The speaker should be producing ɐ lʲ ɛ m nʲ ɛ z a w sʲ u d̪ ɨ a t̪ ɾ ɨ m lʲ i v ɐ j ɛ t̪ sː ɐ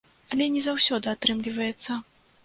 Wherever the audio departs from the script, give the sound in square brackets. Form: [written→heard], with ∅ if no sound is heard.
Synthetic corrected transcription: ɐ lʲ ɛ [m→∅] nʲ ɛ z a w sʲ [u→ɔ] d̪ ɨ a t̪ ɾ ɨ m lʲ i v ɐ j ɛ t̪ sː ɐ